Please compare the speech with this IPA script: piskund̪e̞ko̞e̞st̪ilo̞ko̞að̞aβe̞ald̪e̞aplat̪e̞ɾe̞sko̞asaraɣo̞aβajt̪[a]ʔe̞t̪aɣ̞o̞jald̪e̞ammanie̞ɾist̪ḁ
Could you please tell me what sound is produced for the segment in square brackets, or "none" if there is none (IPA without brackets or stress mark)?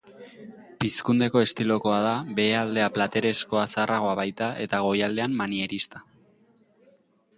a